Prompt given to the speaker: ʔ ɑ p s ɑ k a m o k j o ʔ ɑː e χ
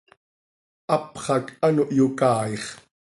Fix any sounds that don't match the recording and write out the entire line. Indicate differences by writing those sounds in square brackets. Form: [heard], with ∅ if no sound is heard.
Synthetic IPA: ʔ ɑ p [χ] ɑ k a [n] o [ʔ] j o [k] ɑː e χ